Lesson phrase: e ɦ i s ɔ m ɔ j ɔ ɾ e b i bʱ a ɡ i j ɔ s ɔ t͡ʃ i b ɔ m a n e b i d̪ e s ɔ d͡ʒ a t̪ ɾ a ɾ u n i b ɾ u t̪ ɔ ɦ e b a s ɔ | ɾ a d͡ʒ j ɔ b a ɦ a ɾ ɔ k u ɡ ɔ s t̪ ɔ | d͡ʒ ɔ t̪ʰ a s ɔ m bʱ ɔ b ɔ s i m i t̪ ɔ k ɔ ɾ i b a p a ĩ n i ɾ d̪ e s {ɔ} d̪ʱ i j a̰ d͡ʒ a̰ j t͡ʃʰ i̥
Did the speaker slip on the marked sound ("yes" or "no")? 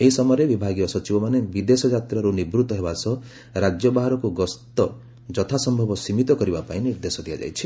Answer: no